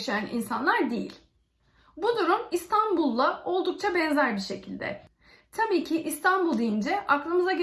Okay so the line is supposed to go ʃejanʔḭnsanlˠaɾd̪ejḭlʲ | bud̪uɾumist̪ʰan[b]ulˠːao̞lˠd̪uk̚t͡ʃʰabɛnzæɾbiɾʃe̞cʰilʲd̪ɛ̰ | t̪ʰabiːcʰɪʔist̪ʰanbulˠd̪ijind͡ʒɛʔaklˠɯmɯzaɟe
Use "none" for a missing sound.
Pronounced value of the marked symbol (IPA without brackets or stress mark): b